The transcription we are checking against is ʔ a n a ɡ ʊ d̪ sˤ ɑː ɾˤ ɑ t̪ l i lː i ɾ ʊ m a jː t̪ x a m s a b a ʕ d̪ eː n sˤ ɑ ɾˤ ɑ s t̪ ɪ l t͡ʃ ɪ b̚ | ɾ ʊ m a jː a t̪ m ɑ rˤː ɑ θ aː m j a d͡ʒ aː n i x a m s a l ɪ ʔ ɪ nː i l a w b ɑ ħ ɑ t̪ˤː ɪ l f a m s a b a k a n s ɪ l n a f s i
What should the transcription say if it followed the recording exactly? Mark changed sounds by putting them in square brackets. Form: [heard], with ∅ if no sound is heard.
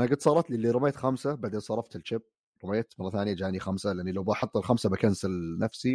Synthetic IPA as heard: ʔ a n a ɡ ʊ d̪ sˤ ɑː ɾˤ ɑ t̪ l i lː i ɾ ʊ m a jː t̪ x a m s a b a ʕ d̪ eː n sˤ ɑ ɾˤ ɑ [f] t̪ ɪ l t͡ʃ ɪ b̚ | ɾ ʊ m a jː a t̪ m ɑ rˤː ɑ θ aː [n] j a d͡ʒ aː n i x a m s a l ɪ ʔ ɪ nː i l a w b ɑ ħ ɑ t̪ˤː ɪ l [x] a m s a b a k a n s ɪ l n a f s i